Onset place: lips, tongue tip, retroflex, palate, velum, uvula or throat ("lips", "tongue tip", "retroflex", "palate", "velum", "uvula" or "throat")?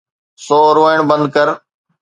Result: tongue tip